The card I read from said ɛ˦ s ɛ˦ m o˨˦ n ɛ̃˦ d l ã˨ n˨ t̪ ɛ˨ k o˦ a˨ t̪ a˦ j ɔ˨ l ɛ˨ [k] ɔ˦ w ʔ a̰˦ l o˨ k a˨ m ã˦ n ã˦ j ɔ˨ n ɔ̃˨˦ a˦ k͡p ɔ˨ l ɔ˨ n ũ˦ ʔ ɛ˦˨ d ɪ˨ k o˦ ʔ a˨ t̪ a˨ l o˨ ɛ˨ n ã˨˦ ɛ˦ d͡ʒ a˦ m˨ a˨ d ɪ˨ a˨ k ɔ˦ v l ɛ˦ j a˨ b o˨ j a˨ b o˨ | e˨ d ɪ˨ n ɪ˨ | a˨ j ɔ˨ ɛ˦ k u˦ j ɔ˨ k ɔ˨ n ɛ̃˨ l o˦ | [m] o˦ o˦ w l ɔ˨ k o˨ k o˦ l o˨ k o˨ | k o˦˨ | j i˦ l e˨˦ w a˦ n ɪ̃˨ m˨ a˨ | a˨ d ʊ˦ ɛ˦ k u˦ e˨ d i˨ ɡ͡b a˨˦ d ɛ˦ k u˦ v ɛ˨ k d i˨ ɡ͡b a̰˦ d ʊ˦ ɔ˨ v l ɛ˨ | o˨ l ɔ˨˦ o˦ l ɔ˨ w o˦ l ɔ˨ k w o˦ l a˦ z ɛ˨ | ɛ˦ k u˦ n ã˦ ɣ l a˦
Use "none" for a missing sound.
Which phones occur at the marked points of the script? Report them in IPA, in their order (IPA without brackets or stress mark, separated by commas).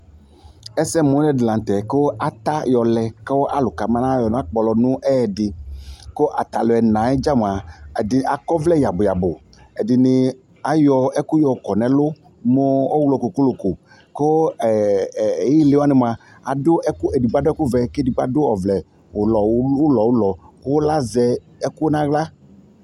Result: k, m